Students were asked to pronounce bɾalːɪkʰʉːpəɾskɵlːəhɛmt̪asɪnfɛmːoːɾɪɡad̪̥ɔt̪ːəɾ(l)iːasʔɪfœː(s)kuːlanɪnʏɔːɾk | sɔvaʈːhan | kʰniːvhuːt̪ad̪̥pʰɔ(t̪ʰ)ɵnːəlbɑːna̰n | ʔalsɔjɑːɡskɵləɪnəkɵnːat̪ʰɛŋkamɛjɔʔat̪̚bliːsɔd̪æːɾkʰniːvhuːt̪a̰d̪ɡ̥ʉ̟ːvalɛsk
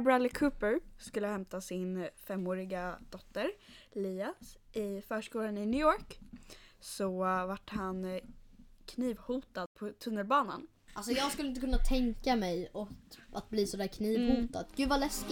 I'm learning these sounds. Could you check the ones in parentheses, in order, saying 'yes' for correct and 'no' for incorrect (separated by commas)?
yes, no, yes